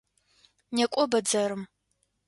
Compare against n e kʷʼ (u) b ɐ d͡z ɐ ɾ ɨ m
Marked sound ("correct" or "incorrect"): incorrect